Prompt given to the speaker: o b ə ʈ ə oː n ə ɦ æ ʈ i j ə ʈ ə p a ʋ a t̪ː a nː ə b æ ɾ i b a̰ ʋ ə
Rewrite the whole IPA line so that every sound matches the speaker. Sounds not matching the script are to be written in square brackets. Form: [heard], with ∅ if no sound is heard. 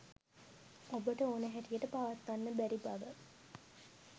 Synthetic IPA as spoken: o b ə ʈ ə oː n ə ɦ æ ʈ i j ə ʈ ə p a ʋ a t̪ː a nː ə b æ ɾ i b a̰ ʋ ə